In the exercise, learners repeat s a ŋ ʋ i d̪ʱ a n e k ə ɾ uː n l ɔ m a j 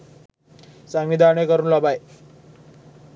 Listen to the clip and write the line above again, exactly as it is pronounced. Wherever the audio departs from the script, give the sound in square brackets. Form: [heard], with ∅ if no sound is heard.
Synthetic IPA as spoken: s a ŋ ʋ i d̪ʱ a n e k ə ɾ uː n l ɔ [b] a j